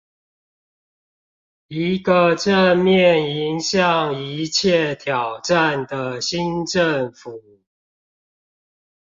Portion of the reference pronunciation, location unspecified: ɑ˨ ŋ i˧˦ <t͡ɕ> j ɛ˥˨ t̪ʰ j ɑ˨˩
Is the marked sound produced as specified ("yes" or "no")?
no